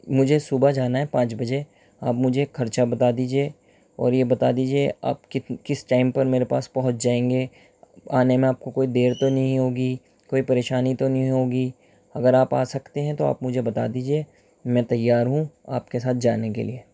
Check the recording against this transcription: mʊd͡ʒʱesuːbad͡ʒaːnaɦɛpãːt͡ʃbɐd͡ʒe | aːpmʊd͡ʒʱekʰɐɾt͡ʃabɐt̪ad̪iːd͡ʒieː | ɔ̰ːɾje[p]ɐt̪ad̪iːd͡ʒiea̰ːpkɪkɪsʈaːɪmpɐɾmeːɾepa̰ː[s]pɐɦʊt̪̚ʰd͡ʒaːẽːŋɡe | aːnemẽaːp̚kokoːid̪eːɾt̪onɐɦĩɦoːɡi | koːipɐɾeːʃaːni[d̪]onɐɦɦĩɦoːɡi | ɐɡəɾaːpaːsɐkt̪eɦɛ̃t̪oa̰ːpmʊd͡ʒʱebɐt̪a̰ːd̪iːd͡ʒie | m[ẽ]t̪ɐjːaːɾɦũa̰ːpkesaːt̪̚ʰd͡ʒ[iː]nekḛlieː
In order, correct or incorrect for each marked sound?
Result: incorrect, correct, incorrect, incorrect, incorrect

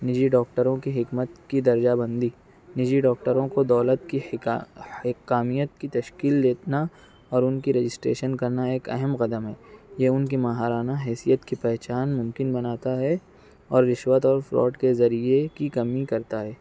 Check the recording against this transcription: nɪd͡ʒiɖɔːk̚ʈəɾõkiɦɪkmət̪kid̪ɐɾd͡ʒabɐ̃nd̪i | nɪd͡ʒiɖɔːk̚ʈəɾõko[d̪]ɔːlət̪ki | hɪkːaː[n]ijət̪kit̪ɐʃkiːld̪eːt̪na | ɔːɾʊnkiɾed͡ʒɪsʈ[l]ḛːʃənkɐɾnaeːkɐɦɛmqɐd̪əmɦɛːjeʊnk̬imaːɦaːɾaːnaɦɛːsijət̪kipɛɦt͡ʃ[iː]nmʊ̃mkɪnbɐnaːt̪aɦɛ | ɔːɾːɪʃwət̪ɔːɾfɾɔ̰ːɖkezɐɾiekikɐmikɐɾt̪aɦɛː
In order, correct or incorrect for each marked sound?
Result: correct, incorrect, incorrect, incorrect

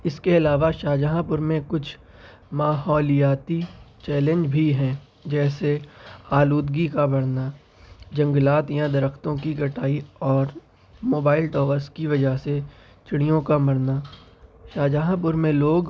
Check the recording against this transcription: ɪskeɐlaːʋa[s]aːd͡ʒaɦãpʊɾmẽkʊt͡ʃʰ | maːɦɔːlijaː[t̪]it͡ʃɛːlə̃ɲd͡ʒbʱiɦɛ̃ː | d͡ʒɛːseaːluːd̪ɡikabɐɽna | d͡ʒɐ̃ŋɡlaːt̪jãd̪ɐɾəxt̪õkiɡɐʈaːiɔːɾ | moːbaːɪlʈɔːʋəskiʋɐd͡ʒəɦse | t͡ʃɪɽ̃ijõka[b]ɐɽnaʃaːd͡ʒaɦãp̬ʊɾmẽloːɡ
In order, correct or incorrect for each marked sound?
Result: incorrect, correct, incorrect

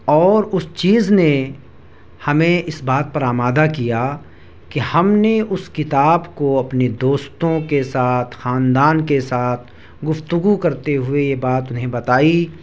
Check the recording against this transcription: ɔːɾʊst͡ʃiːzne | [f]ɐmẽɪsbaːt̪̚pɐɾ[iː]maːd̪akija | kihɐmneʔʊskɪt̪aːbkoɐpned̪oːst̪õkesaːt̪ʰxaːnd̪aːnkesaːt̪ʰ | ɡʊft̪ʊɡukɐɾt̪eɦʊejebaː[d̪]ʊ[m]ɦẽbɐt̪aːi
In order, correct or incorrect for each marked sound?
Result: incorrect, incorrect, incorrect, incorrect

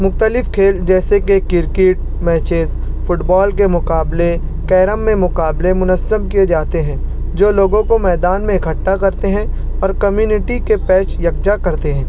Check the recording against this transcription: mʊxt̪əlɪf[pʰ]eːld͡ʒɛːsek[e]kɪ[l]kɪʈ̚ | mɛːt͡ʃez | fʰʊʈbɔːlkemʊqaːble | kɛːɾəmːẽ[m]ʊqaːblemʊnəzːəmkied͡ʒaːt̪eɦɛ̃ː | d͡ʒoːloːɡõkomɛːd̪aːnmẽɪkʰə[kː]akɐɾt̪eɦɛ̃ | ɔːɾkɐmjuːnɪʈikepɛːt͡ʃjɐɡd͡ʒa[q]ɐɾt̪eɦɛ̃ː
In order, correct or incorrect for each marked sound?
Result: incorrect, correct, incorrect, correct, incorrect, incorrect

